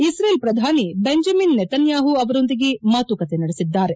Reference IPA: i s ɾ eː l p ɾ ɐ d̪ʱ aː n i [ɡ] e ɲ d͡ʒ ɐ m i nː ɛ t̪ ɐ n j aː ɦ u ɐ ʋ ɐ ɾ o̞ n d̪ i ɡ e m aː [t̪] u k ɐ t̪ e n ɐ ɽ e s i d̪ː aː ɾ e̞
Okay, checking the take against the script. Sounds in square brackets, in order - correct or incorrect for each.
incorrect, correct

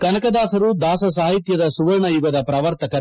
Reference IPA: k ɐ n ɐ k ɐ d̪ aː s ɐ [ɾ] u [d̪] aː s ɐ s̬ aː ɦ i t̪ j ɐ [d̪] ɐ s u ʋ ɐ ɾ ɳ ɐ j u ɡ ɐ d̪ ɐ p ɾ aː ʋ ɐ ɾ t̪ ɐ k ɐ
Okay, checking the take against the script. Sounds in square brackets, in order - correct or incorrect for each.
correct, correct, correct

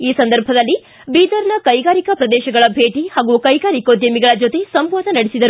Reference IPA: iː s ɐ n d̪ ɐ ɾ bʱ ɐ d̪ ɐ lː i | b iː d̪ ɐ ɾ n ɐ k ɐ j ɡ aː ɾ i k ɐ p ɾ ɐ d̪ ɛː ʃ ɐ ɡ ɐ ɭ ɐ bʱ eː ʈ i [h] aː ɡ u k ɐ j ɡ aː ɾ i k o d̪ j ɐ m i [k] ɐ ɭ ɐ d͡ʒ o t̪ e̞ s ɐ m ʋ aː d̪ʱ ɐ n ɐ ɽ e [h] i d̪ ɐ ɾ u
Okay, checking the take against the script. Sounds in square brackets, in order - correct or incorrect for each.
correct, incorrect, incorrect

